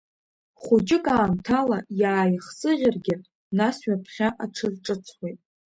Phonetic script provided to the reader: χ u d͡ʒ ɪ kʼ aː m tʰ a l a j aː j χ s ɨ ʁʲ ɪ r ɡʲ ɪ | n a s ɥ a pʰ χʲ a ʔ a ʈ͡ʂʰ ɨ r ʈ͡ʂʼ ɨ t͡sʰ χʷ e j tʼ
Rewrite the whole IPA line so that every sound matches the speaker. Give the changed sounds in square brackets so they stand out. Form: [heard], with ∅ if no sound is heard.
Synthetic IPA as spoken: χ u d͡ʒ ɪ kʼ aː m tʰ a l a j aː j χ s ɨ ʁʲ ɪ r ɡʲ ɪ | n a s ɥ a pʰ χʲ a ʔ a ʈ͡ʂʰ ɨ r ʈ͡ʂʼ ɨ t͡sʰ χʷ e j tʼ